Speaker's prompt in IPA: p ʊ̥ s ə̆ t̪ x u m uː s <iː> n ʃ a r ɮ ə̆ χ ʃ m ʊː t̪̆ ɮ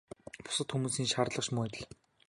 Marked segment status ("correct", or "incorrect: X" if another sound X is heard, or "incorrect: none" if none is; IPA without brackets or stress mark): correct